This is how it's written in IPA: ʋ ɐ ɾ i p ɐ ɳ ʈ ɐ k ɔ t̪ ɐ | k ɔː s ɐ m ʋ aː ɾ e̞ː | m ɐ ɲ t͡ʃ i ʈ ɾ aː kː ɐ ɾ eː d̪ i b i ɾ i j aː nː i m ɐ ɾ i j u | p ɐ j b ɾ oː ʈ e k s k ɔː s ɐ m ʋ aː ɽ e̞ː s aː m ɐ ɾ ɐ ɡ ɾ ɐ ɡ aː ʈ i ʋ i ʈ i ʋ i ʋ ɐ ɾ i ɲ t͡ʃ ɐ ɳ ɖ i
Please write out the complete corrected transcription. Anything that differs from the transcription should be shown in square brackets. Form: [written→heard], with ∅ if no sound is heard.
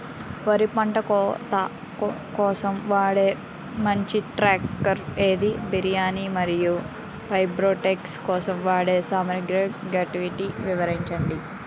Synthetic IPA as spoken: ʋ ɐ ɾ i p ɐ ɳ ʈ ɐ k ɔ t̪ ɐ | k ɔː s ɐ m ʋ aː [ɾ→ɽ] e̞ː | m ɐ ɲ t͡ʃ i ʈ ɾ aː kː ɐ ɾ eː d̪ i b i ɾ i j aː [nː→n] i m ɐ ɾ i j u | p ɐ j b ɾ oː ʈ e k s k ɔː s ɐ m ʋ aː ɽ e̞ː s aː m ɐ ɾ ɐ ɡ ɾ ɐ ɡ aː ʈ i ʋ i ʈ i ʋ i ʋ ɐ ɾ i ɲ t͡ʃ ɐ ɳ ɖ i